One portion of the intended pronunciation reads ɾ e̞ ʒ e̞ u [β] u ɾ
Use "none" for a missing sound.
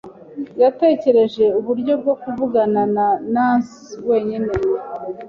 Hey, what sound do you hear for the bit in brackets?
β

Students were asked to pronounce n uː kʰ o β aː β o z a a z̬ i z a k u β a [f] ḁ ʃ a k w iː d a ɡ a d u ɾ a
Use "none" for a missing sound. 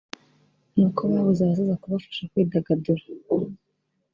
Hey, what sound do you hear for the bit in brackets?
f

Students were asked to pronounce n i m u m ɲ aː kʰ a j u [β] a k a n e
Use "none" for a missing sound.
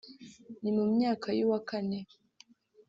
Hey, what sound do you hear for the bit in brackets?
w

